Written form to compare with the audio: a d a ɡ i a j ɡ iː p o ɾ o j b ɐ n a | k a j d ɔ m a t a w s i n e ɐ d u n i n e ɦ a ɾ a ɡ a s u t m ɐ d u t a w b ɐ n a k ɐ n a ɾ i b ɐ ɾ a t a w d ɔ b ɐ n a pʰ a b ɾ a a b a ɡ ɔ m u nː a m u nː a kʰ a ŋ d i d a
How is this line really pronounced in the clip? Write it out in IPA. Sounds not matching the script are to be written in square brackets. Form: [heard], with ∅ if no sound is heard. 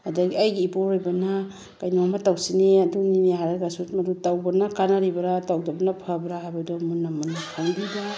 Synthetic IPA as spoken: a d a ɡ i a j ɡ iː p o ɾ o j b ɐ n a | k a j [n] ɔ m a t a w s i n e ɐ d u n i n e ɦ a ɾ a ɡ a s u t m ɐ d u t a w b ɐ n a k [a] n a ɾ i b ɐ ɾ a t a w d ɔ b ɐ n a pʰ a b ɾ a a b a [d] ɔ m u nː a m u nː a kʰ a ŋ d i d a